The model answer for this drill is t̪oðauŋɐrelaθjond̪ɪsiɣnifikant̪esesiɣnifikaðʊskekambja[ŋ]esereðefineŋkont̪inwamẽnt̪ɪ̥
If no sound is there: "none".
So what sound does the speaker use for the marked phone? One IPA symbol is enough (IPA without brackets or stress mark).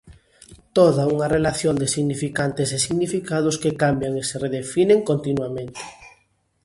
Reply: ŋ